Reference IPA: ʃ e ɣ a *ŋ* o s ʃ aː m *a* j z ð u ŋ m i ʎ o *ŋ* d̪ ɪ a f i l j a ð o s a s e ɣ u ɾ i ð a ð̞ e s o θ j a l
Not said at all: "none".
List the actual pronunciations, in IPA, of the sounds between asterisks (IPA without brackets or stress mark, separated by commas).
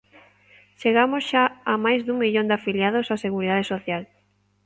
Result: m, a, n